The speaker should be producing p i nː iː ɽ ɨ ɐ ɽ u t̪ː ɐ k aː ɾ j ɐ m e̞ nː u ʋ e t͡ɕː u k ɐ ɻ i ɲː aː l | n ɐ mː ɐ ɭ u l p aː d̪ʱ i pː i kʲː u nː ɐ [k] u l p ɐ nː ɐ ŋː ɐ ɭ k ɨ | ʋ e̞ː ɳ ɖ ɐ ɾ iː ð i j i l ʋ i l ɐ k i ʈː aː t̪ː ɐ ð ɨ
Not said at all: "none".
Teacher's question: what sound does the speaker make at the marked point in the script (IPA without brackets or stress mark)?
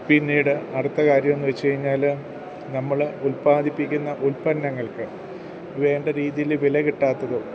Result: ʔ